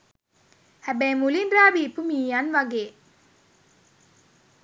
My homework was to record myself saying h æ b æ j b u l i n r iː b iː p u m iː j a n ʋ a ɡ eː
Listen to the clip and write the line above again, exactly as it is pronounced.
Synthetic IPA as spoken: h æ b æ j m u l i n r aː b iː p u m iː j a n ʋ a ɡ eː

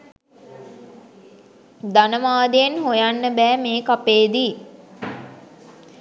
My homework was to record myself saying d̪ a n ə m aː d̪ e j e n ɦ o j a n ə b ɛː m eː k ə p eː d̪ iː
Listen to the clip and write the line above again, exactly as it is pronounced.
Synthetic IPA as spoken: d̪ a n ə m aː d̪ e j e n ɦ o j a nː ə b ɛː m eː k a p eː d̪ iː

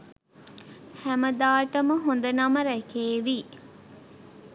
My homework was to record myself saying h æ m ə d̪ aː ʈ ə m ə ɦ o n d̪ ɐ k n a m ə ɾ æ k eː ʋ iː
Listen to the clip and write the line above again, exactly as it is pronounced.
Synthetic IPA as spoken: h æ m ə d̪ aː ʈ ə m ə ɦ o n d̪ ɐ n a m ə ɾ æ k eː ʋ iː

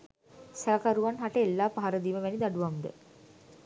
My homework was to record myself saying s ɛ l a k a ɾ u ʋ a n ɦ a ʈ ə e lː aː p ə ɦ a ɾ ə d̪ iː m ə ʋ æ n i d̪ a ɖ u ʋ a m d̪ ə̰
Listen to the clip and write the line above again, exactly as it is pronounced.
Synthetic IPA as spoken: s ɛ l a k a ɾ u ʋ a n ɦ a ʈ ə e lː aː p a ɦ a ɾ ə d̪ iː m ə ʋ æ n i d̪ a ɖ u ʋ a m d̪ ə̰

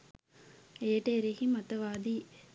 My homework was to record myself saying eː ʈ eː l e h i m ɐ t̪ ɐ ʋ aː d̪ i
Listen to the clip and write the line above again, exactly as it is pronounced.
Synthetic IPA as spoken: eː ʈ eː ɾ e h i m ɐ t̪ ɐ ʋ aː d̪ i

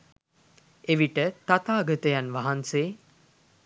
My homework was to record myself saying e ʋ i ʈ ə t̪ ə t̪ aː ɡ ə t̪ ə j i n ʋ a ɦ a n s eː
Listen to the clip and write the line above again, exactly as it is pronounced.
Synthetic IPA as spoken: e ʋ i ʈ ə t̪ a t̪ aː ɡ ə t̪ ə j a n ʋ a ɦ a n s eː

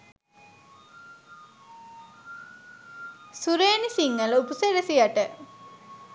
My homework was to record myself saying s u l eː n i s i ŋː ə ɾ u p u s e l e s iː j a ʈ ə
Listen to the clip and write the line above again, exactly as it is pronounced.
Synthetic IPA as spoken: s u ɾ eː n i s i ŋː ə l u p u s e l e s i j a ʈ ə

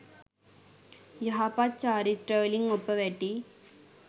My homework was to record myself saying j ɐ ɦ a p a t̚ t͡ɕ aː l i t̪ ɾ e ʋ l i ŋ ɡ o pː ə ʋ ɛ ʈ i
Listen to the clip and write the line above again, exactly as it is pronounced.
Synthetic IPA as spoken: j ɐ ɦ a p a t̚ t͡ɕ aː ɾ i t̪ ɾ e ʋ l i ŋ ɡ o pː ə ʋ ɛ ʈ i

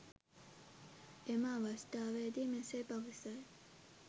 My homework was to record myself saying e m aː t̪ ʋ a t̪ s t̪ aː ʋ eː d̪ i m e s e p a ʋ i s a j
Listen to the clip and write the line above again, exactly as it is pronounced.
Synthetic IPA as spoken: e m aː ʋ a s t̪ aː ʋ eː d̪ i m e s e p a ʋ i s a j

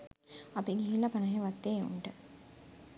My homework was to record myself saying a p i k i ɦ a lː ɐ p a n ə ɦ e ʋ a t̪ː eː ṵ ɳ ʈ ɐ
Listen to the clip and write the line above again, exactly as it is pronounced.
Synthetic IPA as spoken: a p i ɡ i ɦ i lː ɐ p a n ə ɦ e ʋ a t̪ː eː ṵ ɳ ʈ ə

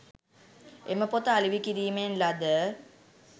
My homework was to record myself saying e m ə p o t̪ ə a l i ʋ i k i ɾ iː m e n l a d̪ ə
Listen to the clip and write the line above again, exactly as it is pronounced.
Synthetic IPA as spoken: e m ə p o t̪ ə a l i ʋ i k i ɾ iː m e n l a d̪ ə

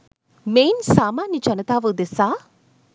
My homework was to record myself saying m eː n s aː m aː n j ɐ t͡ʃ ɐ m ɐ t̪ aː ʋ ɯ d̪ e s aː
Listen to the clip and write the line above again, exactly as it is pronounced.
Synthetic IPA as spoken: m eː n s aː m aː n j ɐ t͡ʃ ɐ n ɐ t̪ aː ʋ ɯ d̪ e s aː

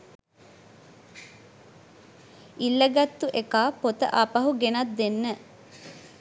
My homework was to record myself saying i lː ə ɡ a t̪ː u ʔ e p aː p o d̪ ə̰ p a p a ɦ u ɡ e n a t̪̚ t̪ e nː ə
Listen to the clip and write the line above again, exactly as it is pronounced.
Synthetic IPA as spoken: i lː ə ɡ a t̪ː u ʔ e k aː p o t̪ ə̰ ʔ a p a ɦ u ɡ e n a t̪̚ d̪ e nː ə

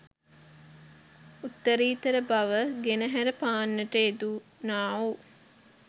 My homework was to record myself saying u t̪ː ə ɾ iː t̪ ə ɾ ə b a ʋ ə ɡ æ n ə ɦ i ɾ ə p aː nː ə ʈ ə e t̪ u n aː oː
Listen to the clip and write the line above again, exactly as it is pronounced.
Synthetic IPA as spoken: u t̪ː ə ɾ iː t̪ ə ɾ ə b a ʋ ə ɡ e n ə ɦ æ ɾ ə p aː nː ə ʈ ə e d̪ u n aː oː

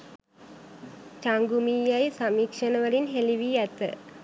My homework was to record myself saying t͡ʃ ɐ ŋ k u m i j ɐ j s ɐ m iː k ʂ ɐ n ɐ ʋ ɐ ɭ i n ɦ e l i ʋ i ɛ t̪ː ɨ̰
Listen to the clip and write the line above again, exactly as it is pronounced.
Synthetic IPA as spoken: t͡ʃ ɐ ŋ ɡ u m i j ɐ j s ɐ m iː k ʂ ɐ n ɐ ʋ ɐ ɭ i n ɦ e l i ʋ i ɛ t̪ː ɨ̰

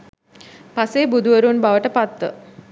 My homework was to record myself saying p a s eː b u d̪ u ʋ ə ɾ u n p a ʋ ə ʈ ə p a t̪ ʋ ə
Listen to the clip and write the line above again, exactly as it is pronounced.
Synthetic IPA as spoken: p a s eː b u d̪ u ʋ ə ɾ u n b a ʋ ə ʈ ə p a t̪ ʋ ə

